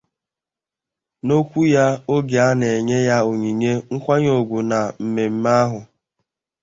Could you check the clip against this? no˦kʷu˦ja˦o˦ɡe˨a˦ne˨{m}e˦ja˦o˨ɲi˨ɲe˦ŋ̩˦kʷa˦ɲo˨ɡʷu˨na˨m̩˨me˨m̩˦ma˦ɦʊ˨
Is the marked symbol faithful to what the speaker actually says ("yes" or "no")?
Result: no